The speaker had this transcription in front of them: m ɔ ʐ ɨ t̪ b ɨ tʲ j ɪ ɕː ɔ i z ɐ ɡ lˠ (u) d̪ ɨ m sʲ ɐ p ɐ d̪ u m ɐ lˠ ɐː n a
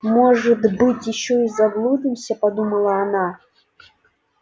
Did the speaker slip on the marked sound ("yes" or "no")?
no